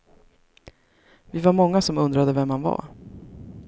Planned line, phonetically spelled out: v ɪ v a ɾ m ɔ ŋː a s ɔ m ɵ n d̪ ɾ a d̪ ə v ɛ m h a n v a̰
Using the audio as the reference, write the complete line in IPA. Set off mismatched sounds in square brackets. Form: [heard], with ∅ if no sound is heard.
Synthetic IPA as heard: v ɪ v a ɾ m ɔ ŋː a s ɔ m ɵ n d̪ ɾ a d̪ ə v ɛ m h a n v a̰